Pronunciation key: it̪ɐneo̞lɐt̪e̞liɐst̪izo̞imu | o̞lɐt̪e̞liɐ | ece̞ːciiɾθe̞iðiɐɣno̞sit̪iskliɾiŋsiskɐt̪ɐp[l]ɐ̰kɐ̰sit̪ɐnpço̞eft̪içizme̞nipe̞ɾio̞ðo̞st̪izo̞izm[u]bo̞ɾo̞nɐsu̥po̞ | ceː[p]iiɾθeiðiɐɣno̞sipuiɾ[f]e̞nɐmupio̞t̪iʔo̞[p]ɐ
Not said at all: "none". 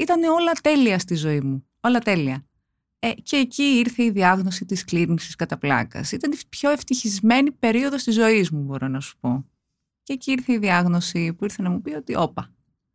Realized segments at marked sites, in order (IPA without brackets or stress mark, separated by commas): l, u, c, θ, p